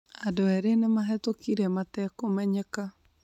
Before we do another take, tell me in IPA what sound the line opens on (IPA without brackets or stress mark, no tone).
a